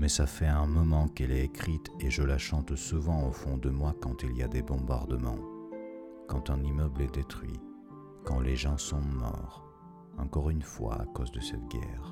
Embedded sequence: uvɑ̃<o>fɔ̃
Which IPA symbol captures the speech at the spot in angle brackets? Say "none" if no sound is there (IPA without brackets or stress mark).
o